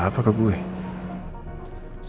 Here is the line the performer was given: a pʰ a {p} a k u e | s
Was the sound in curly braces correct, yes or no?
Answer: no